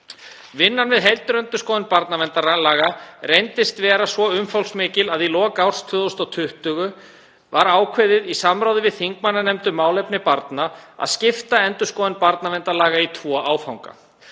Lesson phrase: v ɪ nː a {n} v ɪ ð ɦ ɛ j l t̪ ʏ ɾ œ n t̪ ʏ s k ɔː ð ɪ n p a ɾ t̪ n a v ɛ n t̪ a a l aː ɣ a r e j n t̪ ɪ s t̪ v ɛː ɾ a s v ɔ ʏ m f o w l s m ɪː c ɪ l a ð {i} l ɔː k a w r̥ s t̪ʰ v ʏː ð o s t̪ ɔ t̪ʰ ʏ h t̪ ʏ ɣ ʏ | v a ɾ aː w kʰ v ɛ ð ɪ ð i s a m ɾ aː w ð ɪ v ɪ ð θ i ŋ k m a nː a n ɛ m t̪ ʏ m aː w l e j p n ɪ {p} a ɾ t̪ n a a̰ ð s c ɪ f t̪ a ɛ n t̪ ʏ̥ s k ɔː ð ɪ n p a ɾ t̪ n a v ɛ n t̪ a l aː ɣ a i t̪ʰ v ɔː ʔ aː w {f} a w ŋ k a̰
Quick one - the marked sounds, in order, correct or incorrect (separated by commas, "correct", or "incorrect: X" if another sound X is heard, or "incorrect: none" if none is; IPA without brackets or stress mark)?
correct, correct, correct, correct